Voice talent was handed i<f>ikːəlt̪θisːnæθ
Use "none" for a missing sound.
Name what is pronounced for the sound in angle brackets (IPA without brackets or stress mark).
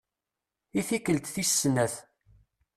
θ